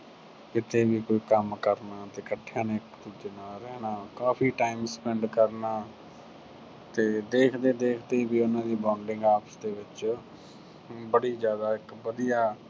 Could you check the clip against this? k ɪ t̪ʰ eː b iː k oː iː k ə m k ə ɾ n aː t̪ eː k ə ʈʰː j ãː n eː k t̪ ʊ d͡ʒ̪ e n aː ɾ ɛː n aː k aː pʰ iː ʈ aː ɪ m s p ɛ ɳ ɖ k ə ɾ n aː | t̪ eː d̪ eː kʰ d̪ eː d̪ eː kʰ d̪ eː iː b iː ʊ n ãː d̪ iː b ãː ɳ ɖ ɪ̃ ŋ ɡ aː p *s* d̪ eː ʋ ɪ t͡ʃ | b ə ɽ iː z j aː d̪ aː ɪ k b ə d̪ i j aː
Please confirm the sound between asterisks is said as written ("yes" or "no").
yes